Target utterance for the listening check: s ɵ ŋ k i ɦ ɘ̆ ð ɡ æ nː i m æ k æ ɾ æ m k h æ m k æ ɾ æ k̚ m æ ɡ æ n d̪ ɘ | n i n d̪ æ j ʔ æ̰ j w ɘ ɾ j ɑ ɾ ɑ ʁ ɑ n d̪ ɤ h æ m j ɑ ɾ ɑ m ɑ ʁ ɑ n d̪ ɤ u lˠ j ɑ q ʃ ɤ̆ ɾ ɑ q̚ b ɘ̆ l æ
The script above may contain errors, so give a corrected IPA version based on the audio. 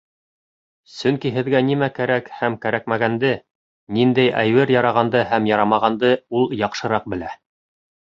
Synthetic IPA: s ɵ ŋ k i ɦ ɘ̆ ð ɡ æ n i m æ k æ ɾ æ k h æ m k æ ɾ æ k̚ m æ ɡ æ n d̪ ɘ | n i n d̪ æ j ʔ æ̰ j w ɘ ɾ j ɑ ɾ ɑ ʁ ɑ n d̪ ɤ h æ m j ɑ ɾ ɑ m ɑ ʁ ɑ n d̪ ɤ u lˠ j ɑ q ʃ ɤ̆ ɾ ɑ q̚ b ɘ̆ l æ